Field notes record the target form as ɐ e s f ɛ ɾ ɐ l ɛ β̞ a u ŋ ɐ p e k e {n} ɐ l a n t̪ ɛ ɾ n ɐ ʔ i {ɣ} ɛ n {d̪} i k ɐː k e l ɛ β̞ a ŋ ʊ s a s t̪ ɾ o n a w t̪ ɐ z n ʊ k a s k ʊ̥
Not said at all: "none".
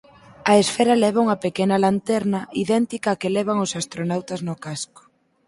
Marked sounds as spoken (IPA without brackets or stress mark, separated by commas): n, ð, t̪